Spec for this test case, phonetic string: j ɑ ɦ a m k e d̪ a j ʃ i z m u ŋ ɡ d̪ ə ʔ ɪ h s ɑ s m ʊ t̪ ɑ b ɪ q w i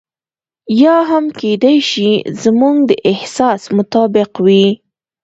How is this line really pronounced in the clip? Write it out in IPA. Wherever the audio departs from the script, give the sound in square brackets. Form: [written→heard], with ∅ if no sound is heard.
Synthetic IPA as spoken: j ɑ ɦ a m k e d̪ a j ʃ i z m u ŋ ɡ d̪ ə ʔ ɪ h s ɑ s m ʊ t̪ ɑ b ɪ q w i

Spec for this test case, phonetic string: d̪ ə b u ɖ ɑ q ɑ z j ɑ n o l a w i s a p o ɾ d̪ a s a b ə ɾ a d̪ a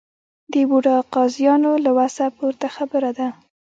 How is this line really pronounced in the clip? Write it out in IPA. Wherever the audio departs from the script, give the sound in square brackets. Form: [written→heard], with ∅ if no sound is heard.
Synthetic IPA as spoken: d̪ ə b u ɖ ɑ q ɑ z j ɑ n o l a w [i→a] s a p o ɾ [d̪→t̪] a [s→x] a b ə ɾ a d̪ a

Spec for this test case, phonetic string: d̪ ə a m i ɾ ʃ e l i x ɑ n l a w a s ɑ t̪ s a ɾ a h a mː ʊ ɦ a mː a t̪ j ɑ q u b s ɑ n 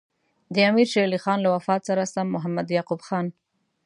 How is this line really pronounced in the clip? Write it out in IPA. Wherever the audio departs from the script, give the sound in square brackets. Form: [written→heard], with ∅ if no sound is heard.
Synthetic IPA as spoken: d̪ ə a m i ɾ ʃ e l i x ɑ n l a w a [s→f] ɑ t̪ s a ɾ a [h→s] a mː ʊ ɦ a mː a [t̪→d̪] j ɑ q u b [s→x] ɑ n

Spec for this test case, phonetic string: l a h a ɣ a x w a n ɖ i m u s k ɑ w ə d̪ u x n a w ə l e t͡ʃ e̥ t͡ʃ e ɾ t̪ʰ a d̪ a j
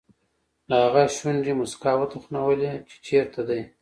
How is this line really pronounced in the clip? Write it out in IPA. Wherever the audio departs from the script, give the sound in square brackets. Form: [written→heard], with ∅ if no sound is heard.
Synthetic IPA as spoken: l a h a ɣ a [x→ʃ] w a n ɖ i m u s k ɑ w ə [d̪→t̪] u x n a w ə l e t͡ʃ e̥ t͡ʃ e ɾ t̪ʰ a d̪ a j

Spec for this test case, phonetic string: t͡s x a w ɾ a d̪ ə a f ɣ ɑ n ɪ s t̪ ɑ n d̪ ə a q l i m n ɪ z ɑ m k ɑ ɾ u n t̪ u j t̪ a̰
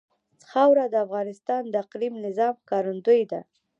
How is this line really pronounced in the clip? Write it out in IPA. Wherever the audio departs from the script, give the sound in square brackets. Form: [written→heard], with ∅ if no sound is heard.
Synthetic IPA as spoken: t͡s x a w ɾ a d̪ ə a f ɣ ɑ n ɪ s t̪ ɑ n d̪ ə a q l i m n ɪ z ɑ m k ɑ ɾ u n [t̪→d̪] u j [t̪→d̪] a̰

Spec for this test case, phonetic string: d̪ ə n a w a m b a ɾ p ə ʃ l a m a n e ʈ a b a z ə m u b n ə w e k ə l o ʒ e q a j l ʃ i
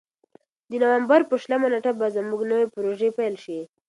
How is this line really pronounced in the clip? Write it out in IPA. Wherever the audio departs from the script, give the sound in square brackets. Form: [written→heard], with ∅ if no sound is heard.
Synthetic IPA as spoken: d̪ ə n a w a m b a ɾ p ə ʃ l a m a n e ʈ a b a z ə m u [b→ɡ] n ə w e [k→p] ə [l→ɾ] o ʒ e [q→p] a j l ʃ i

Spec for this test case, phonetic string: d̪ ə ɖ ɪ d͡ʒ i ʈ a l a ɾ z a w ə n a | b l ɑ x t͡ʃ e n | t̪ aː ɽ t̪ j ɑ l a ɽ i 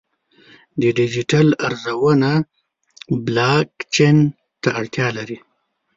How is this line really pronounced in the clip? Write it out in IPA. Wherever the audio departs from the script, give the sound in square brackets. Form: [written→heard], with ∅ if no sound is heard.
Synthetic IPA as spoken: d̪ ə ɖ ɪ d͡ʒ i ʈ a l a ɾ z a w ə n a | b l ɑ [x→k] t͡ʃ e n | t̪ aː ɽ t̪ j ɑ l a [ɽ→ɾ] i

